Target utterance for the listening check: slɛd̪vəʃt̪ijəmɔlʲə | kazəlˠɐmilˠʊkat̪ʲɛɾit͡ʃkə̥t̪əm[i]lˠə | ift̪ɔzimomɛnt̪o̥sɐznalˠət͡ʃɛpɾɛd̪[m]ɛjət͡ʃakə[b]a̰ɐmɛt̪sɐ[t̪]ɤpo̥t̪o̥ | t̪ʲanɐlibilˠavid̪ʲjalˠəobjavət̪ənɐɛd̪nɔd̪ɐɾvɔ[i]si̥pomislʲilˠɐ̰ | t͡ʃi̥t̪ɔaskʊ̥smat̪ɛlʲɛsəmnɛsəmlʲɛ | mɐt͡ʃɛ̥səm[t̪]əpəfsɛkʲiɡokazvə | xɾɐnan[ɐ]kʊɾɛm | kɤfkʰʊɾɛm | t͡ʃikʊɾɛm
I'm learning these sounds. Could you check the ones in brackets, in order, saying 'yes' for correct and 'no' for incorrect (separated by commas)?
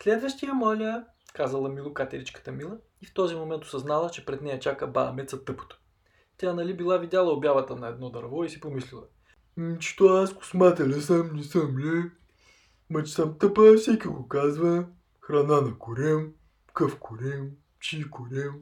yes, no, yes, yes, yes, yes, yes